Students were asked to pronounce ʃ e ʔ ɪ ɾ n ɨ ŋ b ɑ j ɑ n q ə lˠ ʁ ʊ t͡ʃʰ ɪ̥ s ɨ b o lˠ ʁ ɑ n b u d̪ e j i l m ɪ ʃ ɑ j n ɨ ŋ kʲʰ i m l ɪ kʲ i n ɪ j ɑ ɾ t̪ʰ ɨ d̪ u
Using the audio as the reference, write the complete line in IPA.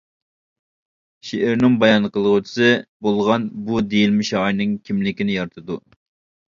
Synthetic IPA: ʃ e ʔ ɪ ɾ n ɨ ŋ b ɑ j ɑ n q ə lˠ ʁ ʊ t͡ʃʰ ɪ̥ s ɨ b o lˠ ʁ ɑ n b u d̪ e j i l m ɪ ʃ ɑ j n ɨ ŋ kʲʰ i m l ɪ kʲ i n ɪ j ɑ ɾ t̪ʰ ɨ d̪ u

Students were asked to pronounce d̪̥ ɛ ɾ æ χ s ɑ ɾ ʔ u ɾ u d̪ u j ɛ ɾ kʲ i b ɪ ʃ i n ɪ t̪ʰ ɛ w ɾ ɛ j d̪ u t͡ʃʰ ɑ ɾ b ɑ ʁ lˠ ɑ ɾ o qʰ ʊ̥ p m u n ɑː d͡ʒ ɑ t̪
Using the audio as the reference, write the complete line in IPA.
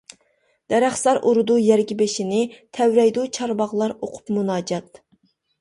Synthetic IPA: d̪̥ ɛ ɾ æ χ s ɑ ɾ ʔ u ɾ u d̪ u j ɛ ɾ ɡʲ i b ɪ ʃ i n ɪ t̪ʰ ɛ w ɾ ɛ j d̪ u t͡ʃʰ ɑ ɾ b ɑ ʁ lˠ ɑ ɾ o qʰ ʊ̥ p m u n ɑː d͡ʒ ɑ t̪

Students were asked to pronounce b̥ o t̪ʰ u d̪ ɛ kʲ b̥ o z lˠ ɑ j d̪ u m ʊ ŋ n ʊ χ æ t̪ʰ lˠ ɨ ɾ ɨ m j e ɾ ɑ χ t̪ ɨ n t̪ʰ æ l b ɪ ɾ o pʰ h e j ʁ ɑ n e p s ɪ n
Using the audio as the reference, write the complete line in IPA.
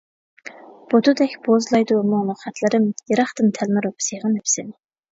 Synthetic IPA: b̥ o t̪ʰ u d̪ ɛ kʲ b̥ o z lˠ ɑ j d̪ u m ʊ ŋ n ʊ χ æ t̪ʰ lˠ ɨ ɾ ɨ m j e ɾ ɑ χ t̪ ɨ n t̪ʰ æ l m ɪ ɾ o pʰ s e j ʁ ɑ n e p s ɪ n

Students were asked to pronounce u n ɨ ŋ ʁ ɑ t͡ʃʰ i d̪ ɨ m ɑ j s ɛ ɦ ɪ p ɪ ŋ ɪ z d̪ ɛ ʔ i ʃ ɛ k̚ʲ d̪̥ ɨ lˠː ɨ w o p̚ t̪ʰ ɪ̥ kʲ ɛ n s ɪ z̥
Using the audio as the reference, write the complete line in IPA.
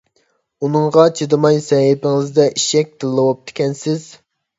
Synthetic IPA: u n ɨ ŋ ʁ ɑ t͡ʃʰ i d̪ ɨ m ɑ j s ɛ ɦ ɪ p ɪ ŋ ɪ z d̪ ɛ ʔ i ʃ ɛ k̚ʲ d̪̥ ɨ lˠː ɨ w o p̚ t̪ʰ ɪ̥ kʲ ɛ n s ɪ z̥

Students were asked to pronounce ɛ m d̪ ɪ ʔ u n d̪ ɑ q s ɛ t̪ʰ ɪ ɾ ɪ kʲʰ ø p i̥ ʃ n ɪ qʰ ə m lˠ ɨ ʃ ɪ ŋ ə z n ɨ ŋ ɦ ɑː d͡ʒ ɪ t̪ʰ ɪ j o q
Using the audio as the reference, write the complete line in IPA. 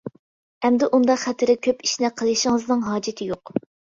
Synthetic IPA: ɛ m d̪ ɪ ʔ u n d̪ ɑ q χ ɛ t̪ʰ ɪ ɾ ɪ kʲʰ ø p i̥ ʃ n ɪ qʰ ə lˠ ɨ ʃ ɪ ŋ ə z n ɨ ŋ ɦ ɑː d͡ʒ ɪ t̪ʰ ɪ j o q

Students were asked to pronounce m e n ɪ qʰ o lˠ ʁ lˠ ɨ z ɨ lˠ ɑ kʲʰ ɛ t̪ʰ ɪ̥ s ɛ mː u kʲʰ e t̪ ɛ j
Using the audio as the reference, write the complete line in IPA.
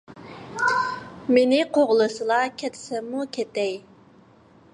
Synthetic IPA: m e n ɪ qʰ o ʁ lˠ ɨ s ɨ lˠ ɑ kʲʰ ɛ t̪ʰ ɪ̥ s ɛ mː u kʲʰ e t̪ ɛ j

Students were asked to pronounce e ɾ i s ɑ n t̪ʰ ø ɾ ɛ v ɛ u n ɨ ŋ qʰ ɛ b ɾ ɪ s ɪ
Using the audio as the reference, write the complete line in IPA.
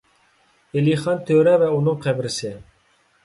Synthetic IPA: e l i χ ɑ n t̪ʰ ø ɾ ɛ v ɛ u n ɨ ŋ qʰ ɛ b ɾ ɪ s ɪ

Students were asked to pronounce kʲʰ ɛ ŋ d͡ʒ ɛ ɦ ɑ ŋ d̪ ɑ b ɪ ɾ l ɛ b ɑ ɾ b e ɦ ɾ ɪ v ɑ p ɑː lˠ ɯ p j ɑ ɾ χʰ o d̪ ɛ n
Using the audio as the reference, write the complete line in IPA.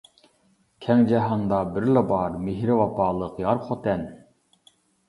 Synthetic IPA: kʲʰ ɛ ŋ d͡ʒ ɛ ɦ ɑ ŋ d̪ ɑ b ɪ ɾ l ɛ b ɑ ɾ m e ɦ ɾ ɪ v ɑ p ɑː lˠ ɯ q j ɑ ɾ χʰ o t̪ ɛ n

